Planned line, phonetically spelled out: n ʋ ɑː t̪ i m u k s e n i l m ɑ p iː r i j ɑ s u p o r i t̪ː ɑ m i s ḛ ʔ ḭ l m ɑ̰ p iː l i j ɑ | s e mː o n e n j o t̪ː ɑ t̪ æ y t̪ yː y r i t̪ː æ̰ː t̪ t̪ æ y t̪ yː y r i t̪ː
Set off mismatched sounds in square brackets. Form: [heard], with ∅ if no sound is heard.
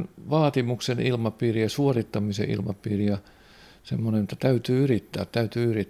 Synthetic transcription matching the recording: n ʋ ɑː t̪ i m u k s e n i l m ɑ p iː r i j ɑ s u [∅] o r i t̪ː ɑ m i s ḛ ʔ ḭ l m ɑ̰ p iː [r] i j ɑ | s e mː o n e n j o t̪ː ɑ t̪ æ y t̪ yː y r i t̪ː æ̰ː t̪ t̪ æ y t̪ yː y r i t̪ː